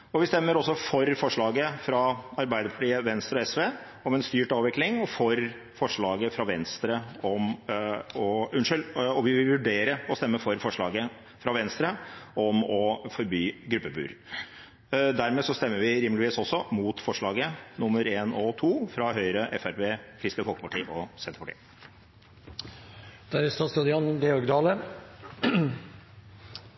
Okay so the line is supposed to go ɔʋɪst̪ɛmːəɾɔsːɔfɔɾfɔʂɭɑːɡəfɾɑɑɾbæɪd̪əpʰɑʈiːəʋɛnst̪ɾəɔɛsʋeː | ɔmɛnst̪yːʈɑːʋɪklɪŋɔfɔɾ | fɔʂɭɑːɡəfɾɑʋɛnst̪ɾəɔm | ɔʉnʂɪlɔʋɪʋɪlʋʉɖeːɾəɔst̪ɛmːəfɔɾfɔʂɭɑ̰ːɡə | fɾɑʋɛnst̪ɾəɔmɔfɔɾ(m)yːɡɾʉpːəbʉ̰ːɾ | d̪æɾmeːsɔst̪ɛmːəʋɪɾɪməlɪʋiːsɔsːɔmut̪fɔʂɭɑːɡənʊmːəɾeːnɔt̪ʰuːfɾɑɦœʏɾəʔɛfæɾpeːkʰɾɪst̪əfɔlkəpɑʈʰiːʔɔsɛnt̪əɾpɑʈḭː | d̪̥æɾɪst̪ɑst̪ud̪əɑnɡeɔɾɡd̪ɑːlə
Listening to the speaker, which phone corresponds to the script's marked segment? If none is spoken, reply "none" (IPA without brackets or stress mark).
b